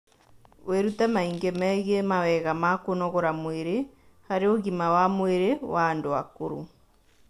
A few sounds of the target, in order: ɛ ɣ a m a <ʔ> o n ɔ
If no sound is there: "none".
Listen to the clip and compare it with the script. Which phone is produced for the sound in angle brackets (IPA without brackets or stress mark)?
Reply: k